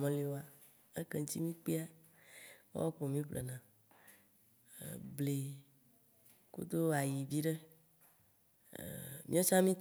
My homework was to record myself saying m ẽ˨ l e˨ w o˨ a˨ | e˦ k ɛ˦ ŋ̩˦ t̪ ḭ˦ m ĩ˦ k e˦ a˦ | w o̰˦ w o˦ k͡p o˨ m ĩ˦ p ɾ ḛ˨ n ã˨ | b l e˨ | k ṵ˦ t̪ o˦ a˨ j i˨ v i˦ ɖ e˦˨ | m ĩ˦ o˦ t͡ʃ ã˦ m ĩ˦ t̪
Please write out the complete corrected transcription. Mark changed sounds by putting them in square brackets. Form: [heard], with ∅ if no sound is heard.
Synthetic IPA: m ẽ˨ l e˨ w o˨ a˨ | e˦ k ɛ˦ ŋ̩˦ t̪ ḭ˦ m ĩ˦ [k͡p] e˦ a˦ | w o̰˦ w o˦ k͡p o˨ m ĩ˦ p [l] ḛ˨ n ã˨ | b l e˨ | k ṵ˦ [d̪] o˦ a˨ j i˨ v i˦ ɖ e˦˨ | m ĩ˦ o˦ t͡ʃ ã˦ m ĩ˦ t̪